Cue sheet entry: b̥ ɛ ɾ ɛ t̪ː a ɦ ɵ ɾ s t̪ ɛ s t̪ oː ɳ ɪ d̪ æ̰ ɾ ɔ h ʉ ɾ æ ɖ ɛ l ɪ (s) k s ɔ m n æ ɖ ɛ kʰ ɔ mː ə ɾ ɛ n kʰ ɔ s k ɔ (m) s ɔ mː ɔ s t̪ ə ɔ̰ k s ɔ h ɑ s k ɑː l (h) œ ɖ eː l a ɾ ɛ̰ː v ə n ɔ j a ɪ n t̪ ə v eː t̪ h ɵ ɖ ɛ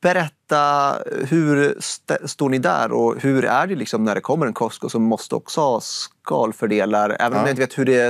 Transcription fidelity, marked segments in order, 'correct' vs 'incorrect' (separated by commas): incorrect, incorrect, incorrect